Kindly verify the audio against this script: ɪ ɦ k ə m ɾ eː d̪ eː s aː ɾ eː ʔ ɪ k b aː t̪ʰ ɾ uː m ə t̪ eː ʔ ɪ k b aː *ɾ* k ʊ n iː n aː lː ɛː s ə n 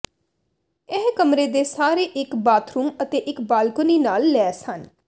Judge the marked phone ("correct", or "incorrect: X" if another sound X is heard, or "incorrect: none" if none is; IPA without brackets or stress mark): incorrect: l